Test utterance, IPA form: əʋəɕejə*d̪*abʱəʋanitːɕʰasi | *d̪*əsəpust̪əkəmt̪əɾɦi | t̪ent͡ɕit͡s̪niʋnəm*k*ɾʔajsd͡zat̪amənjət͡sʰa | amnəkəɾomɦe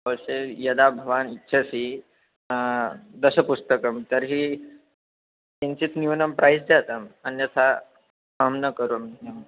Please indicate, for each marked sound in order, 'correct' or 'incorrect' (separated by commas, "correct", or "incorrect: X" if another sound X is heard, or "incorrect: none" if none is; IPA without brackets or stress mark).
correct, correct, incorrect: p